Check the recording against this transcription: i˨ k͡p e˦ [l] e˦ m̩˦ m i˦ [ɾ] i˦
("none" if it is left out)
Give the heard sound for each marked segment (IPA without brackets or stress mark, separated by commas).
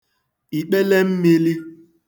l, l